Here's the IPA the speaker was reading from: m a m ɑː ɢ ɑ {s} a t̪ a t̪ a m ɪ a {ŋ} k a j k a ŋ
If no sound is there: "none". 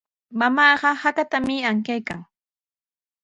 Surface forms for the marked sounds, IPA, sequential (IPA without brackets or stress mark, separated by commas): h, ŋ